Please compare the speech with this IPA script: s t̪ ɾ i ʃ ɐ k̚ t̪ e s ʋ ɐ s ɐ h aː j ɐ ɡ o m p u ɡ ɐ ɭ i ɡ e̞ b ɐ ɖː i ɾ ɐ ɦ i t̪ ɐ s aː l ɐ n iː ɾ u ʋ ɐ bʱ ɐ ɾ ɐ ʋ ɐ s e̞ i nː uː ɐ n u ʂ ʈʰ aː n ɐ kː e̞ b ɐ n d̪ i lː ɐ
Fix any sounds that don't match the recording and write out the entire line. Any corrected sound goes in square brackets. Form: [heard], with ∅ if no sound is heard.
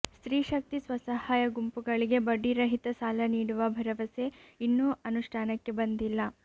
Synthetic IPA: s t̪ ɾ [iː] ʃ ɐ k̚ t̪ [i] s ʋ ɐ s ɐ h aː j ɐ ɡ [u] m p u ɡ ɐ ɭ i ɡ e̞ b ɐ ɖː i ɾ ɐ ɦ i t̪ ɐ s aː l ɐ n iː [ɽ] u ʋ ɐ bʱ ɐ ɾ ɐ ʋ ɐ s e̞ i nː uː ɐ n u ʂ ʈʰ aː n ɐ kː e̞ b ɐ n d̪ i lː ɐ